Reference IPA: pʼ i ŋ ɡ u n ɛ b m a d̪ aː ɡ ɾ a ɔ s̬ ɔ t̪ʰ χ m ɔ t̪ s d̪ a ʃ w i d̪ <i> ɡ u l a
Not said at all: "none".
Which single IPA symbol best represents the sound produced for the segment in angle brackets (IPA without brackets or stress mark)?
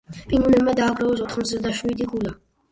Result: i